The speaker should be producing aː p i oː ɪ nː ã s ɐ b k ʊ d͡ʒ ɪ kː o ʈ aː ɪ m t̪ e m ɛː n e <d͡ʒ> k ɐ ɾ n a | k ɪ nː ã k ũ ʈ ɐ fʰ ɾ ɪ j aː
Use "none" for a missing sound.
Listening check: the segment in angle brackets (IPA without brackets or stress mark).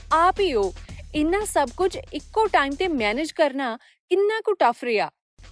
d͡ʒ